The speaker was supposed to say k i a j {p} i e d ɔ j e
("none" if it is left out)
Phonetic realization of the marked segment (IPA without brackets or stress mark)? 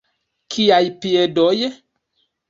p